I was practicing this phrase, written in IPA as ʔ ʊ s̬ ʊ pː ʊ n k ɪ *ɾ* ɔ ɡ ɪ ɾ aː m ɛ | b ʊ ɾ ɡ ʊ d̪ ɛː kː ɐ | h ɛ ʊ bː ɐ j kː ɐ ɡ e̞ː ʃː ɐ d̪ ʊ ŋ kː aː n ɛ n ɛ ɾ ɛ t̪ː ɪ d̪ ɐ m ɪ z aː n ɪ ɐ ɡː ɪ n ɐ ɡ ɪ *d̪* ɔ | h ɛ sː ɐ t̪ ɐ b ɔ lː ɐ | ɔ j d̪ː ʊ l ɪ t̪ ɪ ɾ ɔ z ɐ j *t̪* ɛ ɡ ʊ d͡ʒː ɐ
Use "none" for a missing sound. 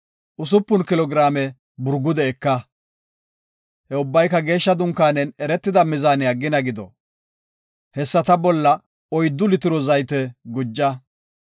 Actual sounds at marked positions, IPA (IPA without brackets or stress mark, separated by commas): l, d̪, t̪